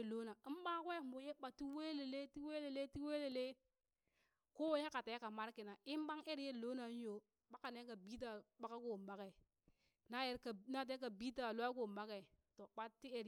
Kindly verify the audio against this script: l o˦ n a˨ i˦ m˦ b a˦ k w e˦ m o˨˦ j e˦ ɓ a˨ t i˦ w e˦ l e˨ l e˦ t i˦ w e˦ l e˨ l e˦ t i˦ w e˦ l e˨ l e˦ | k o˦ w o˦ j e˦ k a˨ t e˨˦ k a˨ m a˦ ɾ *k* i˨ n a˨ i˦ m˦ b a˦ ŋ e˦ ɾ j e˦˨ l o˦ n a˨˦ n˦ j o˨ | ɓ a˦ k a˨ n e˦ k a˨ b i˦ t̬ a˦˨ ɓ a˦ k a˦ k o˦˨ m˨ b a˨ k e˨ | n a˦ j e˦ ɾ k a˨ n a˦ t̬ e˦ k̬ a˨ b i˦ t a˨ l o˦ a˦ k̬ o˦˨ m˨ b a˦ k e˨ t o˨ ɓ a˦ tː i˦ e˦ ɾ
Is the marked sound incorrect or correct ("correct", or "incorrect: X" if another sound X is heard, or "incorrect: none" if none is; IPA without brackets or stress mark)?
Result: correct